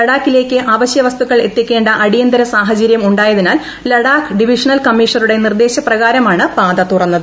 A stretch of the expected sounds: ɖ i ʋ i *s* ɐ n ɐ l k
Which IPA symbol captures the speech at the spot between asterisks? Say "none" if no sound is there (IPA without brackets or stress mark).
ʂ